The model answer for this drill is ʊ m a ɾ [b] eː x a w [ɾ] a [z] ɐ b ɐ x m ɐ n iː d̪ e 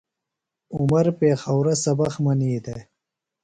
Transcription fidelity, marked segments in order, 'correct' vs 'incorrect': incorrect: p, correct, incorrect: s

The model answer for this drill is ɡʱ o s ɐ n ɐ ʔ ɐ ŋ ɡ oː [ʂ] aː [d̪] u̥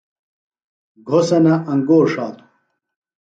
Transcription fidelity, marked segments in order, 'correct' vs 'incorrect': correct, incorrect: t̪

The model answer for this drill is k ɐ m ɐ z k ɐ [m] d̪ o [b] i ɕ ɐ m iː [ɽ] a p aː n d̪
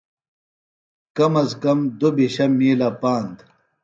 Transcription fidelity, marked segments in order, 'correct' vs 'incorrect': correct, correct, incorrect: l

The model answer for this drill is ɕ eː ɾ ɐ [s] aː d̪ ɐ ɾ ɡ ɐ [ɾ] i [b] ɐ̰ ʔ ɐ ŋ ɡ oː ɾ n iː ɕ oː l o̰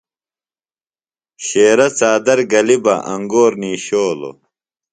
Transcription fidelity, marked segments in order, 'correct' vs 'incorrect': incorrect: t͡s, incorrect: l, correct

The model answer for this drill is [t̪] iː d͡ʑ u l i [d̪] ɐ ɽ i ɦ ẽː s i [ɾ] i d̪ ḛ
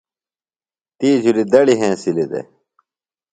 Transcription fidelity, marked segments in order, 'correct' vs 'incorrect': correct, correct, incorrect: l

